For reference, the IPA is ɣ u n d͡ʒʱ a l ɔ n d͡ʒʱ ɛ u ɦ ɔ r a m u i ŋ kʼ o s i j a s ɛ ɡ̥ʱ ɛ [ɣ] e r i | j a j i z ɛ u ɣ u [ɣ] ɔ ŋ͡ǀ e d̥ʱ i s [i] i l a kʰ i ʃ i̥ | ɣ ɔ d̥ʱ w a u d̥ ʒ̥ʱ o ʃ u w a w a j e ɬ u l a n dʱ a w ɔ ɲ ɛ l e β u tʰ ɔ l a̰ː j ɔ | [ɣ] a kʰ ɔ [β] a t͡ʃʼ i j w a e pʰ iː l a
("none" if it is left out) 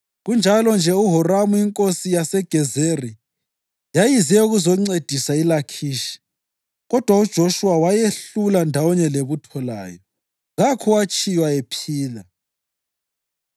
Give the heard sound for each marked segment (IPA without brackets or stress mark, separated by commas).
z, z, a, ɣ, w